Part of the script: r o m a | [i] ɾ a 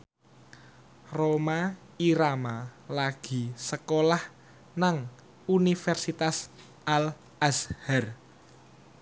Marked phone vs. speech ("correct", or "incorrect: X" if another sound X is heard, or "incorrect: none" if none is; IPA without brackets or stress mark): correct